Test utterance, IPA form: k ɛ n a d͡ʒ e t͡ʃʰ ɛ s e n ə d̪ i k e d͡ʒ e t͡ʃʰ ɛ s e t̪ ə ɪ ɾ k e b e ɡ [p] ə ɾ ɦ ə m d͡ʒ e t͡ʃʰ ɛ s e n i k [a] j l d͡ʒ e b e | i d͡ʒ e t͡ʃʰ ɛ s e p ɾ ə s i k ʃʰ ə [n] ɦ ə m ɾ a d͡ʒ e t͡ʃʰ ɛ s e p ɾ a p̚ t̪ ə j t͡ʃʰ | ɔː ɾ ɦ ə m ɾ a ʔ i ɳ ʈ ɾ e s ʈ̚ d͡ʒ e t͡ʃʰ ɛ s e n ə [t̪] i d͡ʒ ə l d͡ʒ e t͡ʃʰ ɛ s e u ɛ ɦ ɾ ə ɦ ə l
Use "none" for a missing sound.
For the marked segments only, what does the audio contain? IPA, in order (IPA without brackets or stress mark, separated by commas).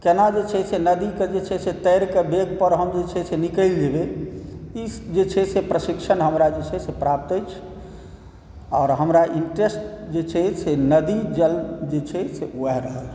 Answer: p, ə, n, d̪